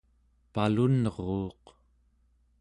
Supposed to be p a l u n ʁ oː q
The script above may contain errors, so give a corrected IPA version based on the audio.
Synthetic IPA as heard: p a l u n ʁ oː q